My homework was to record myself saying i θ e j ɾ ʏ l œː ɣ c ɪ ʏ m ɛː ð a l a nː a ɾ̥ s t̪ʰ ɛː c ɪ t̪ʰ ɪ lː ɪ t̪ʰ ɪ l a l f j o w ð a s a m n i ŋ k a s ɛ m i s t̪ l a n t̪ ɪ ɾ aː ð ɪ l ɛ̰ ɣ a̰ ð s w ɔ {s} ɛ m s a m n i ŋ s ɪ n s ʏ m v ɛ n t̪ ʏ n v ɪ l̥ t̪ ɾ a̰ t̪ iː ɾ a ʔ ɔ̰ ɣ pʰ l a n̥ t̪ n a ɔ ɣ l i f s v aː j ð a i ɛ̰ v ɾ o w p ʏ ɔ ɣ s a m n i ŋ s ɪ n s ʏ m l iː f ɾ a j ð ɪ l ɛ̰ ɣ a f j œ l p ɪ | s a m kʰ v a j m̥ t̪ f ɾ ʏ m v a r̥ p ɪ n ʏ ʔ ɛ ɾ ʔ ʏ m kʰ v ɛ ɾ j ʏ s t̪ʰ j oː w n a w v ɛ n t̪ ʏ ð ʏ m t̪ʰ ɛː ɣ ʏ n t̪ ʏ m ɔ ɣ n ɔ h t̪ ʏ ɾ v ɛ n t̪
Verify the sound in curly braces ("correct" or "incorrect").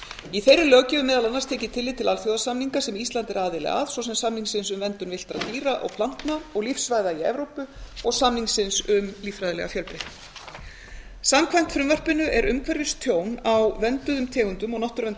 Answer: correct